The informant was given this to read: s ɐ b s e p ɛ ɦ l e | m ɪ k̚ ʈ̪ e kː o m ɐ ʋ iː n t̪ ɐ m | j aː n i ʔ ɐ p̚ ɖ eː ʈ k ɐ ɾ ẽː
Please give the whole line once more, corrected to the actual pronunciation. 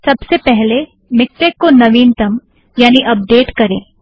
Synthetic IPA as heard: s ɐ b s e p ɛ ɦ l e | m ɪ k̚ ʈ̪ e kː o n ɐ ʋ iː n t̪ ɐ m | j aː n i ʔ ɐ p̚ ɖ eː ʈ k ɐ ɾ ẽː